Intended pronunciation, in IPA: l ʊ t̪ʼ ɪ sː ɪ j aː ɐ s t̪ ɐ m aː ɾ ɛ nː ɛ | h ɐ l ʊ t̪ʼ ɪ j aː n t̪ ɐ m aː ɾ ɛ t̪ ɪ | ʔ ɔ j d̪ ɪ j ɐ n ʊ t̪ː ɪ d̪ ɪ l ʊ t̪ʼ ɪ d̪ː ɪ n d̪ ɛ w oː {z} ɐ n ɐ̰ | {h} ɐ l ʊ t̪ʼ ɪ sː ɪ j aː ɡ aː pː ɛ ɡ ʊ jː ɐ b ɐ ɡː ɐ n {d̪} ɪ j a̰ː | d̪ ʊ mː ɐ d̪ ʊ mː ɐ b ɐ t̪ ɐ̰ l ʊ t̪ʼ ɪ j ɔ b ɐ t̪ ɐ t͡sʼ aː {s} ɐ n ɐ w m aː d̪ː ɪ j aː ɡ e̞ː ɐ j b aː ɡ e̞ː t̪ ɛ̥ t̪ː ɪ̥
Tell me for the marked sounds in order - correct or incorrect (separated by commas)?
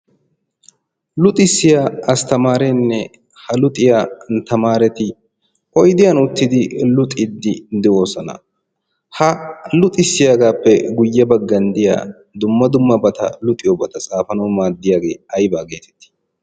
incorrect, correct, correct, incorrect